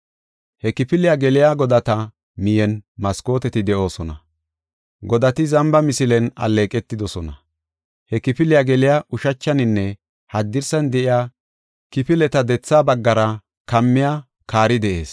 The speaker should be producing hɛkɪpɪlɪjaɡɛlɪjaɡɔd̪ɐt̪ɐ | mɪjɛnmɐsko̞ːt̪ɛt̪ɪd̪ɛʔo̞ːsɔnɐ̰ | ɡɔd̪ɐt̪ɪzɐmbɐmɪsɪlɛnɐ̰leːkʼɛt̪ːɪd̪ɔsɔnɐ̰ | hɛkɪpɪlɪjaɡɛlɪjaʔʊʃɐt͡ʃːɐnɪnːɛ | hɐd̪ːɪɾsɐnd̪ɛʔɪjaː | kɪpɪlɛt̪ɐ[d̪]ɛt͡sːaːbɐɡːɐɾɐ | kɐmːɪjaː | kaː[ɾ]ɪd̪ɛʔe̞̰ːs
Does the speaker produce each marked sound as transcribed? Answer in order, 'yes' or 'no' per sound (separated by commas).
yes, yes